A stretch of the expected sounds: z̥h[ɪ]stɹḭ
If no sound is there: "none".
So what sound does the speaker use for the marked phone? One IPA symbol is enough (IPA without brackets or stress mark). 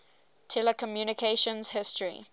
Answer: ɪ